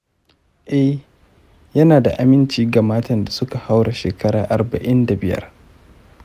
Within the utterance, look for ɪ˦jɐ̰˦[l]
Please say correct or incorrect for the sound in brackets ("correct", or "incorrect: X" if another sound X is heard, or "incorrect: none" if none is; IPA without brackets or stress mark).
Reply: incorrect: r